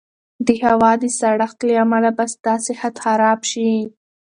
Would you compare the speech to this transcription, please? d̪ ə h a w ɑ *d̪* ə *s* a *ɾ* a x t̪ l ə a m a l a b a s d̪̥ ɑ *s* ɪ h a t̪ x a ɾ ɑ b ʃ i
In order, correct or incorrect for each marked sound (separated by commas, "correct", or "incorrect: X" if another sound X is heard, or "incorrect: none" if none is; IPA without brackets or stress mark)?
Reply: correct, correct, incorrect: ɽ, correct